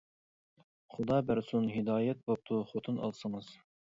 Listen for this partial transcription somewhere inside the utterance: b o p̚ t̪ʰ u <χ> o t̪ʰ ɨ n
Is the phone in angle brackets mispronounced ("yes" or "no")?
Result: no